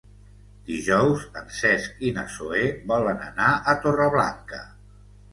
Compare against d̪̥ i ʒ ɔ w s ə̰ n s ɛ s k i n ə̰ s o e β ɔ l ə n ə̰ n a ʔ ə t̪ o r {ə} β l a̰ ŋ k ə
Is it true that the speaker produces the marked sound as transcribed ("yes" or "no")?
yes